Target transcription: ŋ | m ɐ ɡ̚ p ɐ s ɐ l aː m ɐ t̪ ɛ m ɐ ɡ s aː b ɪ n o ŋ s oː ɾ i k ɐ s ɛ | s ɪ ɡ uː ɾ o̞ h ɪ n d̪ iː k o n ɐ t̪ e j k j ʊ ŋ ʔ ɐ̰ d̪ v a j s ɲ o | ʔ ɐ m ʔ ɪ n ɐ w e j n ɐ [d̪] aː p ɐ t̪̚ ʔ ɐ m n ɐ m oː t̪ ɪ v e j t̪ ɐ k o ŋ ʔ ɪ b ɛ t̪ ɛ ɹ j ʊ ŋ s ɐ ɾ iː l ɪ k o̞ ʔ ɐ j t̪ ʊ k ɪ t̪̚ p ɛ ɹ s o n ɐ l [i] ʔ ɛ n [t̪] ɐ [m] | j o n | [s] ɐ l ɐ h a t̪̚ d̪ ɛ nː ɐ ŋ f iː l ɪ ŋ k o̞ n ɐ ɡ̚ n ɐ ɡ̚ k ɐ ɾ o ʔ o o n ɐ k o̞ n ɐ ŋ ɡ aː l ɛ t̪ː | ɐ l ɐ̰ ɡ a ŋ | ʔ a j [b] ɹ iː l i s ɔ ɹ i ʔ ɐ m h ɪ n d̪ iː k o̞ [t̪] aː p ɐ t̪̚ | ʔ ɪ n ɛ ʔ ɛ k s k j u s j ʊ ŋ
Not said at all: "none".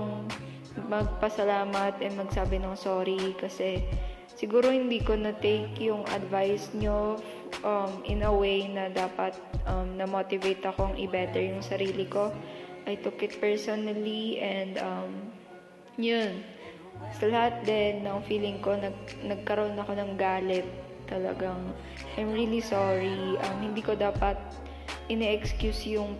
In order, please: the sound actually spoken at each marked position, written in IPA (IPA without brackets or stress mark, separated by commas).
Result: d̪, i, d̪, m, s, m, d̪